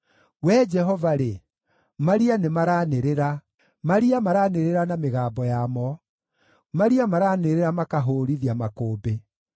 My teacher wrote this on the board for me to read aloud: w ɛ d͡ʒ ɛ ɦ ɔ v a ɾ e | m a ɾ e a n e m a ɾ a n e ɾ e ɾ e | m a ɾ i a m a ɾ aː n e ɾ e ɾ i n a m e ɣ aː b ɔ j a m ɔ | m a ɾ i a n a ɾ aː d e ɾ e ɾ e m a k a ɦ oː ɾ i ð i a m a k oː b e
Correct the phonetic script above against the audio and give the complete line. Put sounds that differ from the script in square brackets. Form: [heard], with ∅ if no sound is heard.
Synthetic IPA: w ɛ d͡ʒ ɛ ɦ ɔ v a ɾ e | m a ɾ [i] a n e m a ɾ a n e ɾ e ɾ [a] | m a ɾ i a m a ɾ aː n e ɾ e ɾ [a] n a m e ɣ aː b ɔ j a m ɔ | m a ɾ i a [m] a ɾ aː [n] e ɾ e ɾ [a] m a k a ɦ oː ɾ i ð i a m a k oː b e